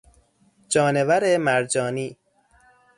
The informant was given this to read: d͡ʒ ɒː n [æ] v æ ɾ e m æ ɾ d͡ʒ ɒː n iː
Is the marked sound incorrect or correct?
incorrect: e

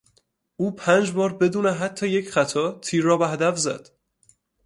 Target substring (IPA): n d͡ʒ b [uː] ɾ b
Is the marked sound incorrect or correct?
incorrect: ɒː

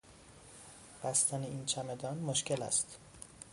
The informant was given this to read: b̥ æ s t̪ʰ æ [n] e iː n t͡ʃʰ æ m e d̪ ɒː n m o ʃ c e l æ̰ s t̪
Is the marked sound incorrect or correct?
correct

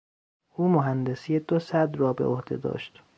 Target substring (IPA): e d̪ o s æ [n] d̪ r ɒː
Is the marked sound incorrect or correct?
incorrect: none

